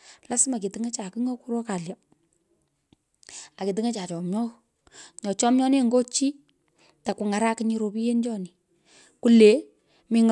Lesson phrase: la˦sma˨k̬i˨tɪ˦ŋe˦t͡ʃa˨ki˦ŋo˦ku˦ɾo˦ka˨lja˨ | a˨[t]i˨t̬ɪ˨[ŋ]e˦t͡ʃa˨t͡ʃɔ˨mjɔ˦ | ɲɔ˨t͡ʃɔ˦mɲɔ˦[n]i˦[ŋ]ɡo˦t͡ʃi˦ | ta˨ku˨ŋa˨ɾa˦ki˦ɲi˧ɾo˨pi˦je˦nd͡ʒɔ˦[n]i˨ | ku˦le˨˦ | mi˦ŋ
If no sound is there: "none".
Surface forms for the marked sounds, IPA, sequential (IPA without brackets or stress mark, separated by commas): k, ŋ, n, ŋ, n